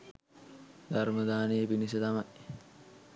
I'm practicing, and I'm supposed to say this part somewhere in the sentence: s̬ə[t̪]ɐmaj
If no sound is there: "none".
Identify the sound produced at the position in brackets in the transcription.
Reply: t̪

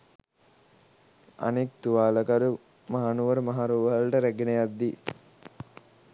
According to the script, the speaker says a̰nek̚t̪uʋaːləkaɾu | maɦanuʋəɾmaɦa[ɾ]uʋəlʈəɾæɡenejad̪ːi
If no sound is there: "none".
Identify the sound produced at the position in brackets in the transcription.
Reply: ɾ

